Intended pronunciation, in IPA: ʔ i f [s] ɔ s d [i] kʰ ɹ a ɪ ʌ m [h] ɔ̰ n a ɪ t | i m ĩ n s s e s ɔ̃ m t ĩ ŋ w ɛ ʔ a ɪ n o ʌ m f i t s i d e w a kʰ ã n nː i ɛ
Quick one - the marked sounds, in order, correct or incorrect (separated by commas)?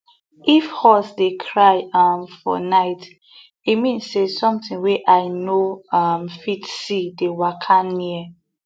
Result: incorrect, incorrect, incorrect